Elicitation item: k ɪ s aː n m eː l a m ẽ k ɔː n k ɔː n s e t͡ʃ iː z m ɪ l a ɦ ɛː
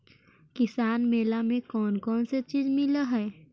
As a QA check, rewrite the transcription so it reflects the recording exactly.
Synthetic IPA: k ɪ s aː n m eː l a m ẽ k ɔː n k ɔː n s e t͡ʃ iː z m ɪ l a ɦ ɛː